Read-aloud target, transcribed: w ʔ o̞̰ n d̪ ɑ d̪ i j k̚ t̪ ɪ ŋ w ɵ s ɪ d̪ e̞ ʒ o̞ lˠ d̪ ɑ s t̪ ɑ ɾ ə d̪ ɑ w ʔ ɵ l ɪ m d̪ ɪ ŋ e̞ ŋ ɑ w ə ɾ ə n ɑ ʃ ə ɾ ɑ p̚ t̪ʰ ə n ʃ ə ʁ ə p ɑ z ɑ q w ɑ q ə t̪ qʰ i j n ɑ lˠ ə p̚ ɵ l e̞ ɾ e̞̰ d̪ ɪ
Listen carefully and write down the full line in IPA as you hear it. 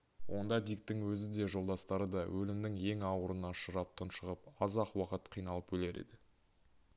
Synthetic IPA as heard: w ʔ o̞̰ n d̪ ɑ d̪ i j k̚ t̪ ɪ ŋ w ɵ z ɪ d̪ e̞ ʒ o̞ lˠ d̪ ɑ s t̪ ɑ ɾ ə d̪ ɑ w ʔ ɵ l ɪ m d̪ ɪ ŋ e̞ ŋ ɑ w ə ɾ ə n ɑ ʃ ə ɾ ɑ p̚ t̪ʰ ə n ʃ ə ʁ ə p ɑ z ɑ q w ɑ q ə t̪ qʰ i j n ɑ lˠ ə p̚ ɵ l e̞ ɾ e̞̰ d̪ ɪ